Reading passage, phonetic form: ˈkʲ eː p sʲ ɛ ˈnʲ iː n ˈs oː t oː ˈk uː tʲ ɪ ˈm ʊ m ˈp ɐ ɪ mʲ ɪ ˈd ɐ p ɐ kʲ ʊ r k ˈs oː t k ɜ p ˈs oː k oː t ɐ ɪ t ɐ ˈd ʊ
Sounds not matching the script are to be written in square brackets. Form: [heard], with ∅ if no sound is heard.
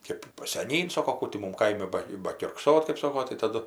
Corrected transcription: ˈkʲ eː p sʲ ɛ ˈnʲ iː n ˈs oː [k] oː ˈk uː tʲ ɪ ˈm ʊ m [ˈk] ɐ ɪ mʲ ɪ [ˈb] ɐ [b] ɐ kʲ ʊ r k ˈs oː t k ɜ p ˈs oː k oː t ɐ ɪ t ɐ ˈd ʊ

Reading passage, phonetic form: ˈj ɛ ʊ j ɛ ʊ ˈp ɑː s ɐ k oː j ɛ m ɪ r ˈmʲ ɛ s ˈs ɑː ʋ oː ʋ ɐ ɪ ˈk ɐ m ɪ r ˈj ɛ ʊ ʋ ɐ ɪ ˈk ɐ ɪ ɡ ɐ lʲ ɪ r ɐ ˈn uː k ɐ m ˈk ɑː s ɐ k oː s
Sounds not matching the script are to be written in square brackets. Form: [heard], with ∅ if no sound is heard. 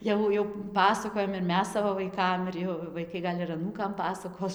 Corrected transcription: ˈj ɛ ʊ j ɛ ʊ ˈp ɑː s ɐ k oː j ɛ m ɪ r ˈmʲ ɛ s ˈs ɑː ʋ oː ʋ ɐ ɪ ˈk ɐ m ɪ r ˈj ɛ ʊ ʋ ɐ ɪ ˈk ɐ ɪ ɡ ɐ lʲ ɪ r ɐ ˈn uː k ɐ m [ˈp] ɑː s ɐ k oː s

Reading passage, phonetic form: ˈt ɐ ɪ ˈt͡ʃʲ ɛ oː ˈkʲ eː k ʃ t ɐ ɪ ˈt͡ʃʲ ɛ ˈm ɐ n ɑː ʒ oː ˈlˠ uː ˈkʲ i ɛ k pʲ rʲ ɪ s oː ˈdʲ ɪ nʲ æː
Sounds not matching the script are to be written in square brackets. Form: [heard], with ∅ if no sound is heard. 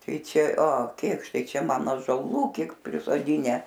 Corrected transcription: ˈt ɐ ɪ ˈt͡ʃʲ ɛ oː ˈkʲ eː k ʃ t ɐ ɪ ˈt͡ʃʲ ɛ ˈm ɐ n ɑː ʒ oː ˈlˠ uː ˈkʲ i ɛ k pʲ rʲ ɪ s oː ˈdʲ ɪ nʲ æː

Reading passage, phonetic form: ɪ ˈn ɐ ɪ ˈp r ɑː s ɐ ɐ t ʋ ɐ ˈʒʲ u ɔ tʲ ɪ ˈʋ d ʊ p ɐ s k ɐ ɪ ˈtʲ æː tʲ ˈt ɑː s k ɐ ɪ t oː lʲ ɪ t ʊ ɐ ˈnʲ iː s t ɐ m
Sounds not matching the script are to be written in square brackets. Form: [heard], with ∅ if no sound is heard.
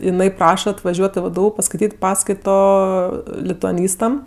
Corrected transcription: ɪ ˈn ɐ ɪ ˈp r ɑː [ʃ] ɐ ɐ t ʋ ɐ ˈʒʲ u ɔ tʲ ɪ ˈʋ d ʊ p ɐ s k ɐ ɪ ˈtʲ [iː] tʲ [ˈp] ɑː s k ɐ ɪ t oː lʲ ɪ t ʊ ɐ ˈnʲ iː s t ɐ m

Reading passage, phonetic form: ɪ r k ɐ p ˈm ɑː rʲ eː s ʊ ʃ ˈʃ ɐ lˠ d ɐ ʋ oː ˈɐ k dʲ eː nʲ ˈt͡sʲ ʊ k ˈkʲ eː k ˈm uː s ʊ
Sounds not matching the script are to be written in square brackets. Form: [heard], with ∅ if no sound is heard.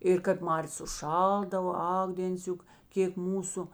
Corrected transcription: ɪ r k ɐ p ˈm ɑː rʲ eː s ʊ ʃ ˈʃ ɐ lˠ d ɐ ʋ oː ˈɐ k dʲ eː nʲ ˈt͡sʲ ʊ k ˈkʲ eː k ˈm uː s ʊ

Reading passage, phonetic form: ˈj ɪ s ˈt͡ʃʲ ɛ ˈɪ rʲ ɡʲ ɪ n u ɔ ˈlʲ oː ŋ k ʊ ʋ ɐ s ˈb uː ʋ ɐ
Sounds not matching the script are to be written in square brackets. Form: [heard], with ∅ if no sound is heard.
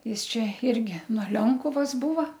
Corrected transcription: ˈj ɪ s ˈt͡ʃʲ ɛ ˈɪ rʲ ɡʲ ɪ n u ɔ ˈlʲ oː ŋ k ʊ ʋ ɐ s ˈb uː ʋ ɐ

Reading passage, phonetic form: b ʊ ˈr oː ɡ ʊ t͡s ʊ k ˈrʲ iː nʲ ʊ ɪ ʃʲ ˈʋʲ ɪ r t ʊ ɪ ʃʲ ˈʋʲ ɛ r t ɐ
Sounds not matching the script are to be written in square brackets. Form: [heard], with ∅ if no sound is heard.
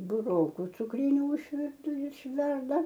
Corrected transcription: b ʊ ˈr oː [k] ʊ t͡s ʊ k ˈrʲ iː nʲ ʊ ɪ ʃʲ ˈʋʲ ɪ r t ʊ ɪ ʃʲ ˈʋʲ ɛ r [d] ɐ

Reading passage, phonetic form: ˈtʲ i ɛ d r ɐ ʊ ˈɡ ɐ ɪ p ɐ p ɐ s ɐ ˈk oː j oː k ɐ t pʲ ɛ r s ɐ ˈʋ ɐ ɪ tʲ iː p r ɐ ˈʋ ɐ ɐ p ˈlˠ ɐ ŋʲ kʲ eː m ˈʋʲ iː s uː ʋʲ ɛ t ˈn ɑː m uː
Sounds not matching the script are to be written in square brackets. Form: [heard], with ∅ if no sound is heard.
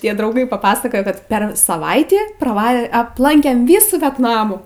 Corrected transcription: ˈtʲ i ɛ d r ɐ ʊ ˈɡ ɐ ɪ p ɐ p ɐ s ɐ ˈk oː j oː k ɐ t pʲ ɛ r s ɐ ˈʋ ɐ ɪ tʲ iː p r ɐ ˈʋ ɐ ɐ p ˈlˠ ɐ ŋʲ kʲ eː m ˈʋʲ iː s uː ʋʲ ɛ t ˈn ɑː m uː

